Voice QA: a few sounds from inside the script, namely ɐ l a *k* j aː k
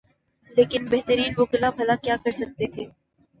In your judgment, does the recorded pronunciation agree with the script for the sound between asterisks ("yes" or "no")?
yes